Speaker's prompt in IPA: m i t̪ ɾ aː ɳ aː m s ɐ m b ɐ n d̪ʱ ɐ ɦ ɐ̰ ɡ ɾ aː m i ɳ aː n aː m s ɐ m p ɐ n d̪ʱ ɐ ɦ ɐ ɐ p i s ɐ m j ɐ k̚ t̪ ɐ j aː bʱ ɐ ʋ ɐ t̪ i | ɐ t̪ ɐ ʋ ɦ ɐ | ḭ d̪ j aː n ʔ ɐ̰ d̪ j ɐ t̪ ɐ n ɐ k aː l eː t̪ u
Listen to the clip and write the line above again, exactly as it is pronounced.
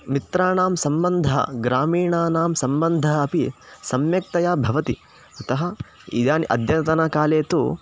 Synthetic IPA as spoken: m i t̪ ɾ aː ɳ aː m s ɐ m b ɐ n d̪ʱ ɐ ɦ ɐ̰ ɡ ɾ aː m iː ɳ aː n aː m s ɐ m b ɐ n d̪ʱ ɐ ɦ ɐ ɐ p i s ɐ m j ɐ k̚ t̪ ɐ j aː bʱ ɐ ʋ ɐ t̪ i | ɐ t̪ ɐ ɦ ɐ | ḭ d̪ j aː n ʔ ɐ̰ d̪ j ɐ t̪ ɐ n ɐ k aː l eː t̪ u